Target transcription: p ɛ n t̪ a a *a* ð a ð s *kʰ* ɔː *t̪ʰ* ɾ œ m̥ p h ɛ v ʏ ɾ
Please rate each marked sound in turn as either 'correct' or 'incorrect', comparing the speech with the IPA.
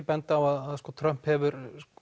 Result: correct, incorrect, correct

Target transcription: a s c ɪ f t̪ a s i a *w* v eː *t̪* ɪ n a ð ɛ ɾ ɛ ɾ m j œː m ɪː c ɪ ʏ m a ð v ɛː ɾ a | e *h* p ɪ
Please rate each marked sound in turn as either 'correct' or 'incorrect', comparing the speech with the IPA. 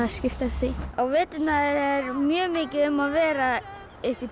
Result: correct, correct, correct

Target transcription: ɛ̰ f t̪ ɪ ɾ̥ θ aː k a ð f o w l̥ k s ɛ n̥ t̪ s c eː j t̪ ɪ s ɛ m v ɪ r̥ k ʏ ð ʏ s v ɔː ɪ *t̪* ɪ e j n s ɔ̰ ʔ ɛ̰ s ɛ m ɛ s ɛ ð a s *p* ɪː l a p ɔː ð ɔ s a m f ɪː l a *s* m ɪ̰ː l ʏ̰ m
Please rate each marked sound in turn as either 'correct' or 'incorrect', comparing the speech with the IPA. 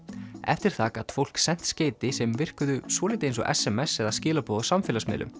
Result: correct, incorrect, correct

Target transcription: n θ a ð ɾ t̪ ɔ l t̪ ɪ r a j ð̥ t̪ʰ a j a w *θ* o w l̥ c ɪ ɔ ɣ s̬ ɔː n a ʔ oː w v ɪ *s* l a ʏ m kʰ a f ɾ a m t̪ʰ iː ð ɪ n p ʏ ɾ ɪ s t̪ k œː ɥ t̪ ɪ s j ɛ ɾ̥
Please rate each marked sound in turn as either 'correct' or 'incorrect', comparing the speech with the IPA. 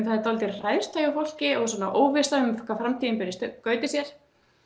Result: incorrect, correct

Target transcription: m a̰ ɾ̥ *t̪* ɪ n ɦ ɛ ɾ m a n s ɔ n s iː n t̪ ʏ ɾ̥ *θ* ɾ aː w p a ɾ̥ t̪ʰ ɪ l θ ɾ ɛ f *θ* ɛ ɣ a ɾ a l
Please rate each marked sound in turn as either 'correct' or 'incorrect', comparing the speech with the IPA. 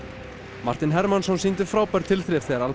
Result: correct, incorrect, correct

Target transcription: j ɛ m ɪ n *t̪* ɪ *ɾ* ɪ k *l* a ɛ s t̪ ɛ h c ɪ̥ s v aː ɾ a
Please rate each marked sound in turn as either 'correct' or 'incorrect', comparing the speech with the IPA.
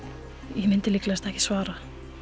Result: correct, incorrect, correct

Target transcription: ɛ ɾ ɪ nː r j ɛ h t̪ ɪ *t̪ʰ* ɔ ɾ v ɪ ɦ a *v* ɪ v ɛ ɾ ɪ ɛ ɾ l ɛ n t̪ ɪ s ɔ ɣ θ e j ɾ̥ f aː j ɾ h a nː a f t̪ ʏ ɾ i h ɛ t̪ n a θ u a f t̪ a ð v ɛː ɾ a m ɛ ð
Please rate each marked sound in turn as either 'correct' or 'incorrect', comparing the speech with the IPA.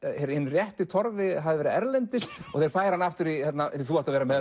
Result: correct, incorrect

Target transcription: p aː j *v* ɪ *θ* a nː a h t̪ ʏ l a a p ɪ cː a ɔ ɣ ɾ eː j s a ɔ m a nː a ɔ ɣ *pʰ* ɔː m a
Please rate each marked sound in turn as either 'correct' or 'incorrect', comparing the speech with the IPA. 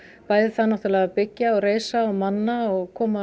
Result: incorrect, correct, incorrect

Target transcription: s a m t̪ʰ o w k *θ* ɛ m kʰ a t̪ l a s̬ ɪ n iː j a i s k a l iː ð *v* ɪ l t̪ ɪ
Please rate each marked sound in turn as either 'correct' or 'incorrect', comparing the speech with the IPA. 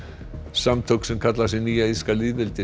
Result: incorrect, correct

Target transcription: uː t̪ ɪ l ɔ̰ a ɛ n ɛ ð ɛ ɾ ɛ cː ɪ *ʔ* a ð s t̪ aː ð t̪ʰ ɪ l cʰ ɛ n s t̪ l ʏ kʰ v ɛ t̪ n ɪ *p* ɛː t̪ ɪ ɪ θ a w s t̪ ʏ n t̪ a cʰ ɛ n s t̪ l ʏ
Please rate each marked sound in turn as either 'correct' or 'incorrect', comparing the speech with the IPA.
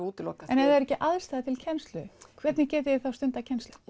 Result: correct, incorrect

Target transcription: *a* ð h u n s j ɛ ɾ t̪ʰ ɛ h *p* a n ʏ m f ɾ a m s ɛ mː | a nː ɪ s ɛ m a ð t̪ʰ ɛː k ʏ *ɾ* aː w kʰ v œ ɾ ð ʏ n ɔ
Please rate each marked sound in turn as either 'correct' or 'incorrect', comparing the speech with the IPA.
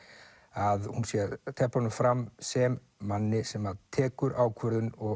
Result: correct, correct, correct

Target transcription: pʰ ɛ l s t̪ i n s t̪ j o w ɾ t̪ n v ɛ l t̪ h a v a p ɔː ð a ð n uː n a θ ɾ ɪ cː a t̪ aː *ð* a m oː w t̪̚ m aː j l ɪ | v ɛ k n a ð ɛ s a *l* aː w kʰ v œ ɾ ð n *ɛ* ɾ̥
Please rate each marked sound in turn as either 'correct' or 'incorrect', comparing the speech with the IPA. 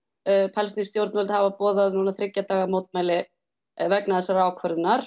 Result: incorrect, incorrect, incorrect

